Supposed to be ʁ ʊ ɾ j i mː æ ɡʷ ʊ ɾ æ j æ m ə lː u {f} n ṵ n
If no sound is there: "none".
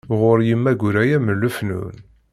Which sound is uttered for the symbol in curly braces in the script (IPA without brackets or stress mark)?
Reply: f